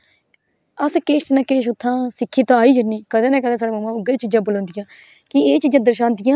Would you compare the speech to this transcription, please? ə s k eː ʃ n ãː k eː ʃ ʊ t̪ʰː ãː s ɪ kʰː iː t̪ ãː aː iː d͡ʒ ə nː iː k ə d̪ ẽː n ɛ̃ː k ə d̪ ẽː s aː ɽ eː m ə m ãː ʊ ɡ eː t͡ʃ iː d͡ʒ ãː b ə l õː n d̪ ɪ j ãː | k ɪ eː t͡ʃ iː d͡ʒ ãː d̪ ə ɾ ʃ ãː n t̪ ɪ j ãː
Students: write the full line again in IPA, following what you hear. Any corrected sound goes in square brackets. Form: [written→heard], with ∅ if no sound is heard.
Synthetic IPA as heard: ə s k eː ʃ n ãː k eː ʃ ʊ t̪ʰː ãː s ɪ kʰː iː t̪ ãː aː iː d͡ʒ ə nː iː k ə d̪ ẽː n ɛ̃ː k ə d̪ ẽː s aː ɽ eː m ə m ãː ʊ ɡ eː t͡ʃ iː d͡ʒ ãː b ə l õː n d̪ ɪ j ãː | k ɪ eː t͡ʃ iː d͡ʒ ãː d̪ ə ɾ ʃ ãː n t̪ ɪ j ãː

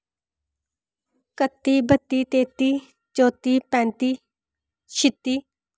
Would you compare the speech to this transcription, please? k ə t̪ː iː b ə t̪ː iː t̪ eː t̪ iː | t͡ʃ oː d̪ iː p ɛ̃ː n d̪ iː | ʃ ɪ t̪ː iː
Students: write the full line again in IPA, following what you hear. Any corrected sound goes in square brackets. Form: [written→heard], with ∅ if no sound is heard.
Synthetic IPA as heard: k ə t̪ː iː b ə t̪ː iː t̪ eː t̪ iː | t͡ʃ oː [d̪→t̪] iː p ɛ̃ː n [d̪→t̪] iː | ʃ ɪ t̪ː iː

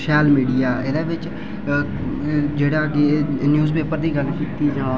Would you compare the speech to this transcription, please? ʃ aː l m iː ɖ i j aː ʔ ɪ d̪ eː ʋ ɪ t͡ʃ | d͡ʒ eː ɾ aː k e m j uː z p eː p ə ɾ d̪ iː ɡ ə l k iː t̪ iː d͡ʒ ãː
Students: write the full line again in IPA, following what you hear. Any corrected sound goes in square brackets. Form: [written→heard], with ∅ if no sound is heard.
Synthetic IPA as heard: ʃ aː l m iː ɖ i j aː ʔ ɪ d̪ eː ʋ ɪ t͡ʃ | d͡ʒ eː [ɾ→ɽ] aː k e [m→n] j uː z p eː p ə ɾ d̪ iː ɡ ə l k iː t̪ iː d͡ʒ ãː

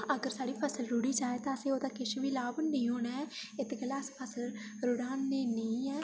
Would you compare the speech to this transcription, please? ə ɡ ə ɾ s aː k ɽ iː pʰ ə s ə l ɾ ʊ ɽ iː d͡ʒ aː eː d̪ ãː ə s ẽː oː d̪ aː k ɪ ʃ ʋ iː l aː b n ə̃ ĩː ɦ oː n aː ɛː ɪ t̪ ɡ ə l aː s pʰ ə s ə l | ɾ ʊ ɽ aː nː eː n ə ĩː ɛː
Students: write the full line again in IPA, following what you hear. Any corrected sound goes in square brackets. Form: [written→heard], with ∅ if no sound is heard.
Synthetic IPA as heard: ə ɡ ə ɾ s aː [k→∅] ɽ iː pʰ ə s ə l ɾ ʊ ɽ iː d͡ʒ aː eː [d̪→t̪] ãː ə s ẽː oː d̪ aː k ɪ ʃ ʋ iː l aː b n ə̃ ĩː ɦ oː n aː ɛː ɪ t̪ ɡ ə l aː s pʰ ə s ə l | ɾ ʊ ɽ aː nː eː n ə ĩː ɛː

